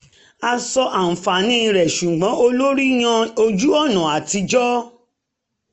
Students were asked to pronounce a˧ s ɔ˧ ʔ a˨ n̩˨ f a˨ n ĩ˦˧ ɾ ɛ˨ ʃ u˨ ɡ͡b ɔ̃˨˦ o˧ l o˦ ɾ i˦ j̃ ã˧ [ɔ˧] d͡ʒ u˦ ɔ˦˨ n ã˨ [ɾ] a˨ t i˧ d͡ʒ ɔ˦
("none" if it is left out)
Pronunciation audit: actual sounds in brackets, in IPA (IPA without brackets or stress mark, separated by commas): o˧, none